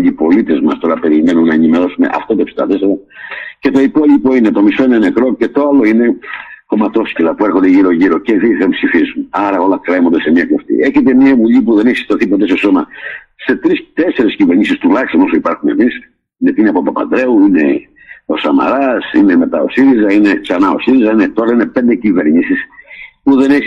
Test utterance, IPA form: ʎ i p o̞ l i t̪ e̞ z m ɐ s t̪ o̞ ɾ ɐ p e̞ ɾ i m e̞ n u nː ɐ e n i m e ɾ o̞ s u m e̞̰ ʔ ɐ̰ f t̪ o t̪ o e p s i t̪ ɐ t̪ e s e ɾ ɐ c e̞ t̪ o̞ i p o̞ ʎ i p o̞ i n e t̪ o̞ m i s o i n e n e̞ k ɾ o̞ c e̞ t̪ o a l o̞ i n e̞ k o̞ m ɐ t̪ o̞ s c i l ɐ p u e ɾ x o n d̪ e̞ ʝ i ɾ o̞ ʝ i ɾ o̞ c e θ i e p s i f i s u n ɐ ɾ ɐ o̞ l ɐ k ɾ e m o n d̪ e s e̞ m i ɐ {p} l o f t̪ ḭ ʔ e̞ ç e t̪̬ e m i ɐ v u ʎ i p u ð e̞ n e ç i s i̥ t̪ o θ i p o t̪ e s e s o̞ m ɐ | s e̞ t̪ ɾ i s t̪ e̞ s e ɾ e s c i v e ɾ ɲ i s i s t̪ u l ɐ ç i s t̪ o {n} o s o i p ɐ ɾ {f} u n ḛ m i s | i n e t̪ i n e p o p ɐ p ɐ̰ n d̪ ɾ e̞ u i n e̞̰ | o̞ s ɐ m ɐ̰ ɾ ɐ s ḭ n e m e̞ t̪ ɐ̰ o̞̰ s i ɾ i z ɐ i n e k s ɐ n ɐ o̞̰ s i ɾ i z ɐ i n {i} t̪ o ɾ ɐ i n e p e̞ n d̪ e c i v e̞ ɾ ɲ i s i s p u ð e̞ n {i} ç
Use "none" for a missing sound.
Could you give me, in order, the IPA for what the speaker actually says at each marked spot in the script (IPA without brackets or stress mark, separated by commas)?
k, n, x, e, e